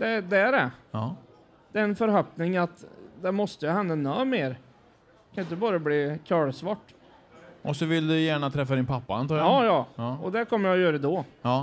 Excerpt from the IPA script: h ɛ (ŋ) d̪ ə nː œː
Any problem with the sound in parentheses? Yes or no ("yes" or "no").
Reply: yes